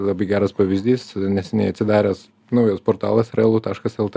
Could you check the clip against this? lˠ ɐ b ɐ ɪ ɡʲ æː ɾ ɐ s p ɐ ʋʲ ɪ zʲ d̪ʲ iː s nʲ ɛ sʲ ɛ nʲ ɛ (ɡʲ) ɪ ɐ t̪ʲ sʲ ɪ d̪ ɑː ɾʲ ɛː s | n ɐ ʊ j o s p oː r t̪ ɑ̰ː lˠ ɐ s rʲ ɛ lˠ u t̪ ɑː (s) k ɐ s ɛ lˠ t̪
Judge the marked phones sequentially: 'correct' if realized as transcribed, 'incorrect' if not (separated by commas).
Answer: incorrect, incorrect